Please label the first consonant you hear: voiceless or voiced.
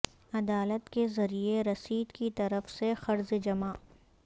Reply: voiced